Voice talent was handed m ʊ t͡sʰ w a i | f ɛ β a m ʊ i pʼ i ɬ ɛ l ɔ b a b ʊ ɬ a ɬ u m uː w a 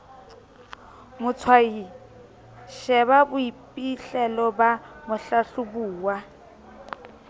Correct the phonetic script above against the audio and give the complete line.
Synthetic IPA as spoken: m ʊ t͡sʰ w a i | ʃ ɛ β a b ʊ i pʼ i ɬ ɛ l ɔ b a m ʊ ɬ a ɬ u b uː w a